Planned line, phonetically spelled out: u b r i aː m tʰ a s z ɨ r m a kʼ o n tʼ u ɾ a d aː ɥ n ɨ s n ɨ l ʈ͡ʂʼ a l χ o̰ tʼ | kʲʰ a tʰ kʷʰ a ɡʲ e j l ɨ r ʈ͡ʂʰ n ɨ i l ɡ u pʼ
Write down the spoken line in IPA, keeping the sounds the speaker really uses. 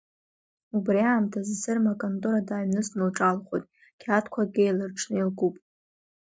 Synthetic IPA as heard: u b r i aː m tʰ a z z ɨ r m a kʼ o n tʼ u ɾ a d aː ɥ n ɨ s n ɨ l ʈ͡ʂʼ a l χ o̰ tʼ | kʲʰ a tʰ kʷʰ a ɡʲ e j l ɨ r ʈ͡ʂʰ n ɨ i l ɡ u pʼ

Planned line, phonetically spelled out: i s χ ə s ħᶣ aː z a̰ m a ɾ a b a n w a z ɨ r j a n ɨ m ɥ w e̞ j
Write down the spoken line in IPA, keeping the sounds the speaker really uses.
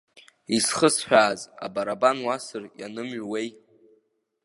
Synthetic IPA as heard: i s χ ə s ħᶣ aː z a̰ b a ɾ a b a n w a s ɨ r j a n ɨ m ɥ w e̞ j

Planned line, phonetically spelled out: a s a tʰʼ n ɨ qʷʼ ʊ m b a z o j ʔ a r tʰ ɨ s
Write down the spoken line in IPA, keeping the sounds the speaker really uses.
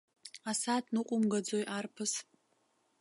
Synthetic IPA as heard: a s a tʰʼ n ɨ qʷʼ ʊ m ɡ a d͡z o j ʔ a r pʰ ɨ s

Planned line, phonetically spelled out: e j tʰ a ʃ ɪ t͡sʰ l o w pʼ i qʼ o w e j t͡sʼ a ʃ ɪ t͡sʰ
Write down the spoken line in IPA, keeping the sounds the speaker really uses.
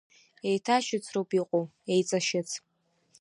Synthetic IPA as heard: e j tʰ a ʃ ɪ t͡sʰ r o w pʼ i qʼ o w e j t͡sʼ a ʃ ɪ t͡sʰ

